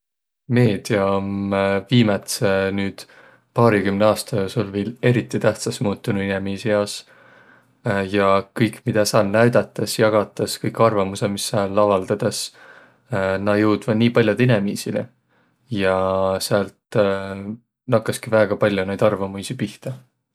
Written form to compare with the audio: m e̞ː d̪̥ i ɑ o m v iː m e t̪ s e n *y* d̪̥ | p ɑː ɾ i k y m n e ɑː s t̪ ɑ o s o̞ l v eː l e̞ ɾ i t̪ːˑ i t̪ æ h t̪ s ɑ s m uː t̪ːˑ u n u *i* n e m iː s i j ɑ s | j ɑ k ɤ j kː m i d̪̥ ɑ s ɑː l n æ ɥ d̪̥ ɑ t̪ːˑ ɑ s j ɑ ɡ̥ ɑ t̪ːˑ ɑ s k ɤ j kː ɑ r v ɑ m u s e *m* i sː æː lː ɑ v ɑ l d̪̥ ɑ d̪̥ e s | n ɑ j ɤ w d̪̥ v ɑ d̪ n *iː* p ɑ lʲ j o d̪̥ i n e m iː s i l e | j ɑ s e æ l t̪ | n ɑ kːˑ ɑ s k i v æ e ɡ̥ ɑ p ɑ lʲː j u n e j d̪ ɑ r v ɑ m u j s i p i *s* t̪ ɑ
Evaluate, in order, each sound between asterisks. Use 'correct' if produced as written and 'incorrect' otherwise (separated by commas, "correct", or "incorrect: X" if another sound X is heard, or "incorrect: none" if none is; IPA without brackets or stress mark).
incorrect: yː, correct, correct, correct, incorrect: h